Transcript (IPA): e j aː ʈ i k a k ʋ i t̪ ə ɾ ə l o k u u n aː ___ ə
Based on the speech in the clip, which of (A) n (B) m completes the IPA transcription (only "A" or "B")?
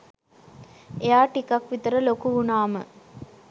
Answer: B